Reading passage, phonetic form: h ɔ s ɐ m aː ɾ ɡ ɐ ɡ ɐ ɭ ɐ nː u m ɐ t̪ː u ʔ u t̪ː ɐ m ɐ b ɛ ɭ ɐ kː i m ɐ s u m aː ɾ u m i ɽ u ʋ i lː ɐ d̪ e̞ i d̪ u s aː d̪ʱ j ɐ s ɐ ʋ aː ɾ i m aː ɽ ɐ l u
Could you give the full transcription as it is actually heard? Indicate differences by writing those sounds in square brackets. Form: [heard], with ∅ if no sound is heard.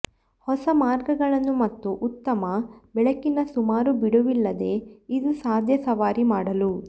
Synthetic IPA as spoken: h ɔ s ɐ m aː ɾ ɡ ɐ ɡ ɐ ɭ ɐ nː u m ɐ t̪ː u ʔ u t̪ː ɐ m ɐ b ɛ ɭ ɐ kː i [n] ɐ s u m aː ɾ u [b] i ɽ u ʋ i lː ɐ d̪ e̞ i d̪ u s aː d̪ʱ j ɐ s ɐ ʋ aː ɾ i m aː ɽ ɐ l u